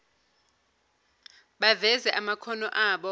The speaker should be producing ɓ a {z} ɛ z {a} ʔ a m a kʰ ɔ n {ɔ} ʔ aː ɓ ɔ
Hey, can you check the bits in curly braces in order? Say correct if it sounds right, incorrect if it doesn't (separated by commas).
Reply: incorrect, incorrect, correct